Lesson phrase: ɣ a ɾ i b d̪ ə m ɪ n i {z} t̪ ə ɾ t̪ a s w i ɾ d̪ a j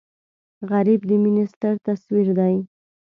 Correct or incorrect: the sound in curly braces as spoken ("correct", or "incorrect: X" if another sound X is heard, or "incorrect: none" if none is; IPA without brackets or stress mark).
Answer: incorrect: s